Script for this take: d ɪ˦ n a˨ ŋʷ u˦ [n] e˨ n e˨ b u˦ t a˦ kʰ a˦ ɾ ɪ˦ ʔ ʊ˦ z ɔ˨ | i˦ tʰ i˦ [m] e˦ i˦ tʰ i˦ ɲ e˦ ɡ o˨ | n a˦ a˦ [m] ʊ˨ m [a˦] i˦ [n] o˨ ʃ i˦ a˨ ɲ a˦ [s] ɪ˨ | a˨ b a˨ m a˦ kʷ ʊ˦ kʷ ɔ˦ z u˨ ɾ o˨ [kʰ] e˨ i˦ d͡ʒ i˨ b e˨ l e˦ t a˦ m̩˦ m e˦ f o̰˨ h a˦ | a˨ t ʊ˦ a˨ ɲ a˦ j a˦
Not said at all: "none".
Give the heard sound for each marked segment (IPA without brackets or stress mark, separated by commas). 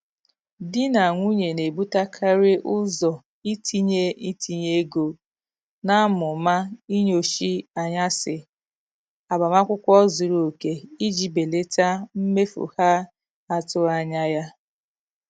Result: ɲ, ɲ, m, a˦, ɲ, s, k